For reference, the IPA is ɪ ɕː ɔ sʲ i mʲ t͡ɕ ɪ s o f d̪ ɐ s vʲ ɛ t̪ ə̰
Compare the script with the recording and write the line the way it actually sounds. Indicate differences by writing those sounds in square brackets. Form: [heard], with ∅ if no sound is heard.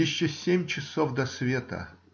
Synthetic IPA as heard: ɪ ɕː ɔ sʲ [e] mʲ t͡ɕ ɪ s o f d̪ ɐ s vʲ [e] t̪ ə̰